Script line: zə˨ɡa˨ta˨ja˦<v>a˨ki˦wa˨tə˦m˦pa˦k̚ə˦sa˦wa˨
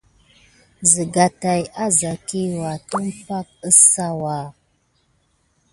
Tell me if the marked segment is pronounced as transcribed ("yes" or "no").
no